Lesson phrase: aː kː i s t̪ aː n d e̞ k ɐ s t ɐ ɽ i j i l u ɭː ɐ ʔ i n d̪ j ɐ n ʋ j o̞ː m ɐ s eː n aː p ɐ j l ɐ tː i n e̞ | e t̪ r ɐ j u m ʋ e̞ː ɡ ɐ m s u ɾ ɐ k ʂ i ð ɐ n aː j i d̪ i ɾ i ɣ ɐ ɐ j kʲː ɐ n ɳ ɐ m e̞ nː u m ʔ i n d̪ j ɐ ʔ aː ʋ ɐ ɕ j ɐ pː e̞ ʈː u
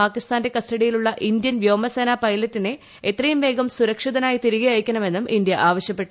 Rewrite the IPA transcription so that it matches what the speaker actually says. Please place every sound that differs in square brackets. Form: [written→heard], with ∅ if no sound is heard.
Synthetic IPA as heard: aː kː i s t̪ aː n d e̞ k ɐ s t ɐ ɽ i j i l u ɭː ɐ ʔ i n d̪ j ɐ n ʋ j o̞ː m ɐ s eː n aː p ɐ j l ɐ tː i n e̞ | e t̪ r ɐ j u m ʋ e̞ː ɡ ɐ m s u ɾ ɐ k ʂ i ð ɐ n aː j i [d̪→t̪] i ɾ i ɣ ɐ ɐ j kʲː ɐ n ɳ ɐ m e̞ nː u m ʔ i n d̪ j ɐ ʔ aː ʋ ɐ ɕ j ɐ pː e̞ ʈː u